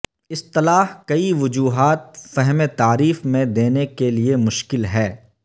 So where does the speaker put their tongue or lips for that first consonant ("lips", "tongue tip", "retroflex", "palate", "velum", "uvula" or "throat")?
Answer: tongue tip